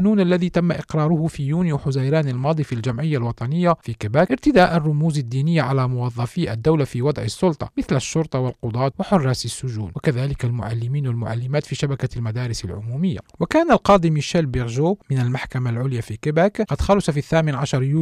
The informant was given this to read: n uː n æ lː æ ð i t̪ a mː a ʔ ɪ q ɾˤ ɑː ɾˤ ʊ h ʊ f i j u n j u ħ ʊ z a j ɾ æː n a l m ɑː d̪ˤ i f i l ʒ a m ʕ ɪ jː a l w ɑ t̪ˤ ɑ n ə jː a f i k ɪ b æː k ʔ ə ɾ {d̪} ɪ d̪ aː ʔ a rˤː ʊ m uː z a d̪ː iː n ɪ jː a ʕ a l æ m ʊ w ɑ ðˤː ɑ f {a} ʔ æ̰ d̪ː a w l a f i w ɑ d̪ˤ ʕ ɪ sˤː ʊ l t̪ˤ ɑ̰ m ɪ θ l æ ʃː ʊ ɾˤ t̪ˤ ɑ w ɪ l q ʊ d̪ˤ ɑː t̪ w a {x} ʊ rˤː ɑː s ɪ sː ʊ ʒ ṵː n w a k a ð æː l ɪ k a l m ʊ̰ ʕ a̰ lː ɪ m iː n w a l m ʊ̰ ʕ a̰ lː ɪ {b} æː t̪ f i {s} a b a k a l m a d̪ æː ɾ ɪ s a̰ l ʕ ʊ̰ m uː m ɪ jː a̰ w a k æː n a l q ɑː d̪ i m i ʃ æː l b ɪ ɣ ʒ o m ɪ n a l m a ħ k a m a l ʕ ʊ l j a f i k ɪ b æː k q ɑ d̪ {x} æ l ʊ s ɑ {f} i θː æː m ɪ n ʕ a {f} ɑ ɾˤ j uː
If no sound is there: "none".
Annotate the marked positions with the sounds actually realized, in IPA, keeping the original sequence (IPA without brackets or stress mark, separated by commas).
t̪, i, ħ, m, ʃ, x, f, ʃ